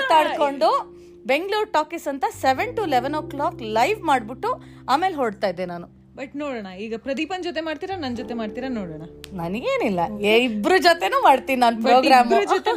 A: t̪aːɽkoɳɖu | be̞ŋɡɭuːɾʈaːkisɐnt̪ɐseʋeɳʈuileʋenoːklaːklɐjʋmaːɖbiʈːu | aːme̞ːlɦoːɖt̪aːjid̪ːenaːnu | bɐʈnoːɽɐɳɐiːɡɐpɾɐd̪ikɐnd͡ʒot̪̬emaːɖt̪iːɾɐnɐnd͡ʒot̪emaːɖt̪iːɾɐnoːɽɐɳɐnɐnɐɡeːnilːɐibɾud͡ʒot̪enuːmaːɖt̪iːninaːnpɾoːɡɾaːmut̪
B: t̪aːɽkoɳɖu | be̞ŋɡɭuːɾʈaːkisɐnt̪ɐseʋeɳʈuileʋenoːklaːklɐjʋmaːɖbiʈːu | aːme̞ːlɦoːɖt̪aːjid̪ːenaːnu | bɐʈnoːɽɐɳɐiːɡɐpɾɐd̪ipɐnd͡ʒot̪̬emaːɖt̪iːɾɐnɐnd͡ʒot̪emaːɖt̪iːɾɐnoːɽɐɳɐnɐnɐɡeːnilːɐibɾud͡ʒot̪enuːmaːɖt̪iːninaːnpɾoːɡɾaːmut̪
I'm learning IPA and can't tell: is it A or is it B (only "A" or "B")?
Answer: B